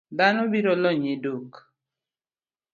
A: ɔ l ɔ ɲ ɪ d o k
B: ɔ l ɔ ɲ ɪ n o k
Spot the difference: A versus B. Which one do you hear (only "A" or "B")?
A